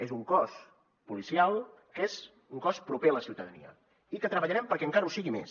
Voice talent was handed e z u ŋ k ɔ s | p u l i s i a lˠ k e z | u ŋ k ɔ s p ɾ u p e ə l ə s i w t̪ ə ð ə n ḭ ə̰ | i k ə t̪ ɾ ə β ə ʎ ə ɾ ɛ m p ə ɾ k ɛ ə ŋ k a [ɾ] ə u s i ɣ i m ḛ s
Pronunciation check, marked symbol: correct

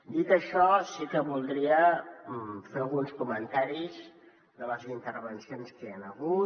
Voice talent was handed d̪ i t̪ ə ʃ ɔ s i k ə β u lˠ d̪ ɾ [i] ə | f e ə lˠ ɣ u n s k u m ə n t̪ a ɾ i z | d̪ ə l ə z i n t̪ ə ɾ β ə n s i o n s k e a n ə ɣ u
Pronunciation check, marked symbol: correct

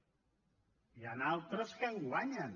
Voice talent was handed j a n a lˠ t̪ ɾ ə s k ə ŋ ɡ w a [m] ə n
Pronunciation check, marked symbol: incorrect: ɲ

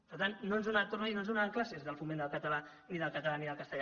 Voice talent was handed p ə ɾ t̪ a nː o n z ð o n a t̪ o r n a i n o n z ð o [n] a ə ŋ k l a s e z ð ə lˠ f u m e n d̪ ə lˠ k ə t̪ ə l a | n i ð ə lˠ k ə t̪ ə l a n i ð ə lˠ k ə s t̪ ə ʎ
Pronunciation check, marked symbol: correct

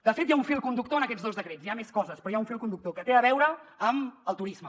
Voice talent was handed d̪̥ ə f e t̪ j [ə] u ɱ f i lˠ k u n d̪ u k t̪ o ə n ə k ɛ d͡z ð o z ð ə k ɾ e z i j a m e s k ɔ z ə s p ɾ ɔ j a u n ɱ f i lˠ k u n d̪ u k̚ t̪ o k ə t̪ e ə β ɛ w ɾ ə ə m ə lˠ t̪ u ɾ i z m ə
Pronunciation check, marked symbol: incorrect: a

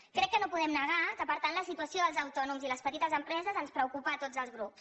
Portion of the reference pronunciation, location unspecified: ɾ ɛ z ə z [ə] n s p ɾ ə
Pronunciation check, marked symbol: correct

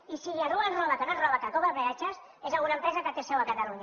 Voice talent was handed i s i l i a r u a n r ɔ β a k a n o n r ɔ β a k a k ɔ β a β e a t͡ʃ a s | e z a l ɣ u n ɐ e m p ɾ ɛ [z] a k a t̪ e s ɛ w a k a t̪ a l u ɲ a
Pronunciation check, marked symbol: correct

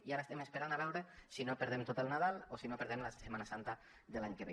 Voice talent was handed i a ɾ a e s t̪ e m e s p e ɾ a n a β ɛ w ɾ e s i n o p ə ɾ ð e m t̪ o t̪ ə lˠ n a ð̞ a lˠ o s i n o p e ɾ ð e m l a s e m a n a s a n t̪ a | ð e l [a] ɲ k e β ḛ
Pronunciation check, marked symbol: correct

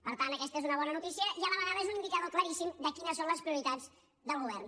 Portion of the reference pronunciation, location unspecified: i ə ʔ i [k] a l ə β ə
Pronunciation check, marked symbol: incorrect: none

